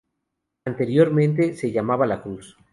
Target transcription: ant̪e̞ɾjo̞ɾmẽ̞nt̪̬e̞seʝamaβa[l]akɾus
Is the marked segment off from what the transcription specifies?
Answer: no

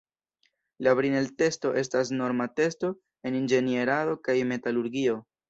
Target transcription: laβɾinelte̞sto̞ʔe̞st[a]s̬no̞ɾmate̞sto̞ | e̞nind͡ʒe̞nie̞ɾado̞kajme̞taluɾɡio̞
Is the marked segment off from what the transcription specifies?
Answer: no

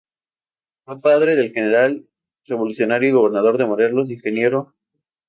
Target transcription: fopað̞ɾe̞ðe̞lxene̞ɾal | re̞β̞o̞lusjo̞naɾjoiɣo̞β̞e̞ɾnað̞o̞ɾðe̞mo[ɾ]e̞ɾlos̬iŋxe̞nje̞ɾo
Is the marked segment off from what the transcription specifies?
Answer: no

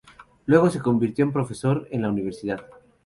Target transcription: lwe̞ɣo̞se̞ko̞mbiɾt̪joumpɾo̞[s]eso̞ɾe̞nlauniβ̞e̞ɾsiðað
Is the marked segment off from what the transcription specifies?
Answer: yes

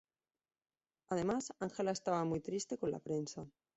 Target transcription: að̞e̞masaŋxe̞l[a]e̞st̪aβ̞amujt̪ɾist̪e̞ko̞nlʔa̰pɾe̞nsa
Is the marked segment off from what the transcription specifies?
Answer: no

